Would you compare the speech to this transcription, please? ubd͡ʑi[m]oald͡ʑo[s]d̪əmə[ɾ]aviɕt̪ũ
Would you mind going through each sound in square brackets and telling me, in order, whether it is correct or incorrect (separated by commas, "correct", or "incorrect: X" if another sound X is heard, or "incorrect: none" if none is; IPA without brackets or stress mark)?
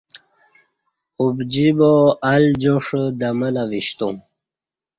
incorrect: b, incorrect: ʂ, incorrect: l